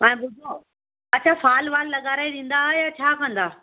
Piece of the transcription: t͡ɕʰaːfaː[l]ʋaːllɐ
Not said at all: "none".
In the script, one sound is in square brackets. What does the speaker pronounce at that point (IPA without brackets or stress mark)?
l